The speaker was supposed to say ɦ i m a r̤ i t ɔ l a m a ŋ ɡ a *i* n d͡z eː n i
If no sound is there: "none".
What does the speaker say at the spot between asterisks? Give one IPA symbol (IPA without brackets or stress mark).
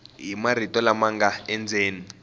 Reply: ɛ